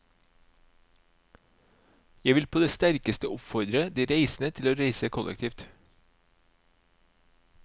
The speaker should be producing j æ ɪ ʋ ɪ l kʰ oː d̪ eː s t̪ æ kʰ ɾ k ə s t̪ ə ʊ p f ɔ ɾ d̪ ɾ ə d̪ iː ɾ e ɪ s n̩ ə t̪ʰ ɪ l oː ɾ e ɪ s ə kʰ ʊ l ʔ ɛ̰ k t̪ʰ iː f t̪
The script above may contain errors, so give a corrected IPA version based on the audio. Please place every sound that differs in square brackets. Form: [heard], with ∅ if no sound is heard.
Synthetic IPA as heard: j æ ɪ ʋ ɪ l [pʰ] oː d̪ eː s t̪ æ [∅] ɾ k ə s t̪ ə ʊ p f ɔ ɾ d̪ ɾ ə d̪ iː ɾ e ɪ s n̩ ə t̪ʰ ɪ l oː ɾ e ɪ s ə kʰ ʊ l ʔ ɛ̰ k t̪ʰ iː f t̪